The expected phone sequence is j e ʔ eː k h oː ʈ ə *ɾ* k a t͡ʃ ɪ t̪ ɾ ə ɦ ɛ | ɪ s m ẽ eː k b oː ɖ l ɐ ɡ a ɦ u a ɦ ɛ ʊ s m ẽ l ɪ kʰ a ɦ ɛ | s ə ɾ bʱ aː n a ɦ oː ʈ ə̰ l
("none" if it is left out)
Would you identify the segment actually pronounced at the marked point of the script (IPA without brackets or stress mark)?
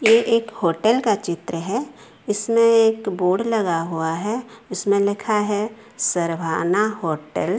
l